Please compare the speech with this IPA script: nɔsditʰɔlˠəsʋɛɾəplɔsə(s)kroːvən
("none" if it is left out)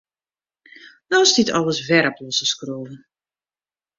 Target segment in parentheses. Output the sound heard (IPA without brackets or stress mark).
s